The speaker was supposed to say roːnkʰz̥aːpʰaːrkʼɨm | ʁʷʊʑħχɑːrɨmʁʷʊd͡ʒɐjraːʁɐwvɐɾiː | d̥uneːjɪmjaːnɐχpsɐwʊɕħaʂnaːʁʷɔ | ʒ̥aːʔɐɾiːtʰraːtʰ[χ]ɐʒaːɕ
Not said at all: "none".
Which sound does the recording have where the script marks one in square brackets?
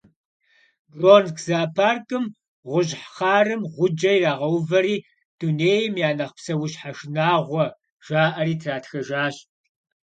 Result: x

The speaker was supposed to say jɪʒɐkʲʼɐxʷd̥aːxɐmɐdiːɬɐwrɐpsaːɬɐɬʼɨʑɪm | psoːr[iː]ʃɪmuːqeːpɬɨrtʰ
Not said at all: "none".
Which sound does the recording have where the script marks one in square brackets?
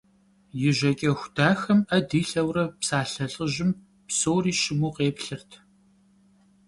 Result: iː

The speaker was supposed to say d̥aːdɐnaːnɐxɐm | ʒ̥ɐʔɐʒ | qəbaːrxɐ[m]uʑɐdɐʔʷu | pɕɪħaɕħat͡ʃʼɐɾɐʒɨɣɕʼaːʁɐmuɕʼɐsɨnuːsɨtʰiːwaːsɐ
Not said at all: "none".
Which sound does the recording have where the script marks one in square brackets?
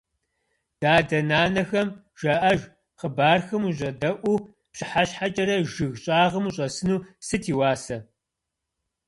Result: m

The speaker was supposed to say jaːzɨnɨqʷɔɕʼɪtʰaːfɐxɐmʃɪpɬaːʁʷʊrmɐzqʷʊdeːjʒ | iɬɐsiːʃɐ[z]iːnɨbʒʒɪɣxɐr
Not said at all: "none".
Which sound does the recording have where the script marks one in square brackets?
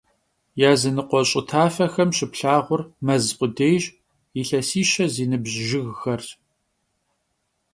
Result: z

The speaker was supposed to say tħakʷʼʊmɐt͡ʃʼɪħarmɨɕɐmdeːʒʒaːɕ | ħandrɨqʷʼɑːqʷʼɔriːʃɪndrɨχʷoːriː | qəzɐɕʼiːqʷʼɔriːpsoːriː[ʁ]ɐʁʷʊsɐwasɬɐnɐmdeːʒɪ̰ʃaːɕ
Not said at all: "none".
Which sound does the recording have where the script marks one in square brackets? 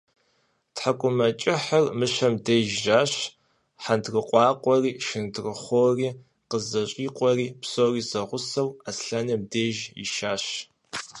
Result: z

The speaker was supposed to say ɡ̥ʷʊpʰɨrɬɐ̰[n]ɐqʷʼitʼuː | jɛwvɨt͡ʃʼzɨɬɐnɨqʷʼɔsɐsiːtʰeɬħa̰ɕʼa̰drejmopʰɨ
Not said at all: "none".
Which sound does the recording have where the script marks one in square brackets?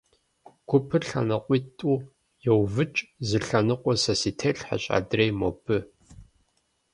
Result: n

